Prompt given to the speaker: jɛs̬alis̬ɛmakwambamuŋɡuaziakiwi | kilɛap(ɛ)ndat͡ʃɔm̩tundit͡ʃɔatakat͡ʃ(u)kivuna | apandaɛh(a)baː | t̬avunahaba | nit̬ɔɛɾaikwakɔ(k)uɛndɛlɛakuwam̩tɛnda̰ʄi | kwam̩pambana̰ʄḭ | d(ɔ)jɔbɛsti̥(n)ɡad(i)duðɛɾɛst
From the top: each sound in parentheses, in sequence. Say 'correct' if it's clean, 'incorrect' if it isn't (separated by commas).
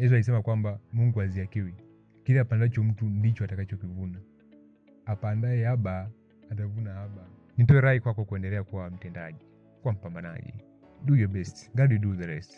incorrect, incorrect, correct, correct, incorrect, incorrect, correct